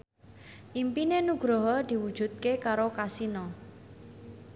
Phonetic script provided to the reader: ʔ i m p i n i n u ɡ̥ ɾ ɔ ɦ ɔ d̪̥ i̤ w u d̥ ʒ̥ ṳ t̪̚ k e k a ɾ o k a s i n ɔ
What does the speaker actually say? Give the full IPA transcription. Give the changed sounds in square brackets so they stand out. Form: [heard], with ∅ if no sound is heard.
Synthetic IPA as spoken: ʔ i m p i n [e] n u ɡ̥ ɾ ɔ ɦ ɔ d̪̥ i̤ w u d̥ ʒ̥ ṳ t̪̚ k e k a ɾ o k a s i n ɔ